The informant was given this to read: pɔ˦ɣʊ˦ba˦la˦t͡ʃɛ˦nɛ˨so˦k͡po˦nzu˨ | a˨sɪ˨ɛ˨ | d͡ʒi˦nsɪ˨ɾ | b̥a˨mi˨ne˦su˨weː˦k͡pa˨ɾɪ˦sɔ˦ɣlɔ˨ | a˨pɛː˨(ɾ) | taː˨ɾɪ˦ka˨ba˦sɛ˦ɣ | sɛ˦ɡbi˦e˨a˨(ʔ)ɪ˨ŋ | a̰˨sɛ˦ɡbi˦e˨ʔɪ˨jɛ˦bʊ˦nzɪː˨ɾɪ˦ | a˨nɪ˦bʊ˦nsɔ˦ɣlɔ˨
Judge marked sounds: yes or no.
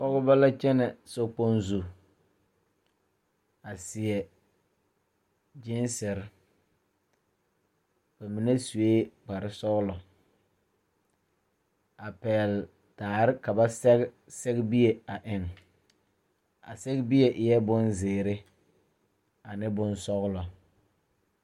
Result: no, yes

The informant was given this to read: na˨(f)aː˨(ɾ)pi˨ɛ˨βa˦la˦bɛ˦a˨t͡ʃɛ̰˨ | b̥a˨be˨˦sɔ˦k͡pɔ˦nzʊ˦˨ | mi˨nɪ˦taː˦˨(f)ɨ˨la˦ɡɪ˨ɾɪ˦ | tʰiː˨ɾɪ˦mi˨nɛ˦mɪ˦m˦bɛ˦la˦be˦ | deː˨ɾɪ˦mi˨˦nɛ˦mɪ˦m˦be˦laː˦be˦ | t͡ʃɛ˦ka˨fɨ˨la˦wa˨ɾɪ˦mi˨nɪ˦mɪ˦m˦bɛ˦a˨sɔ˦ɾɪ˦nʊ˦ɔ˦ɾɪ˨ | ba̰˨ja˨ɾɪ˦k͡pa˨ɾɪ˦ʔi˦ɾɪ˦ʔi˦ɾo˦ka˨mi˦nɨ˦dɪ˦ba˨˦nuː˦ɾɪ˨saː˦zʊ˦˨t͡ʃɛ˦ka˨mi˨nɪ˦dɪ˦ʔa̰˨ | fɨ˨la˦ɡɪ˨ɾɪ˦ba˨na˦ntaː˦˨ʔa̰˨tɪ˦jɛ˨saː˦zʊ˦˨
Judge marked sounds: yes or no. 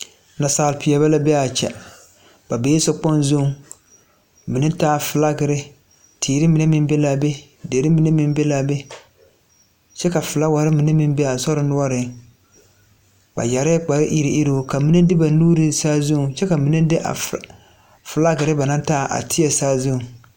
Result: no, no, yes

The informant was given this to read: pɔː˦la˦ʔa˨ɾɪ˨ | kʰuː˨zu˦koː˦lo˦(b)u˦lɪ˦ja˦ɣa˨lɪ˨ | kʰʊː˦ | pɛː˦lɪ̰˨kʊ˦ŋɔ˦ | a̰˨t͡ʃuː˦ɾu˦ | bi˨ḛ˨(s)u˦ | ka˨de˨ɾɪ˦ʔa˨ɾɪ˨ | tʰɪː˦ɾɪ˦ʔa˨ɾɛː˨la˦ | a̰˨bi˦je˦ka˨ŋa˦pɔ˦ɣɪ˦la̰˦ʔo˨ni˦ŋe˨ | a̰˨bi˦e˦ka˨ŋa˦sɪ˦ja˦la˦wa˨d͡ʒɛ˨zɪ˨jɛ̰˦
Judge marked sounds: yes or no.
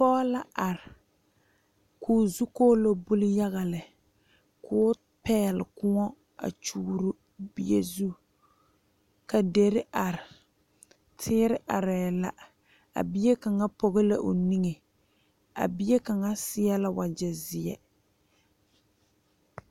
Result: yes, no

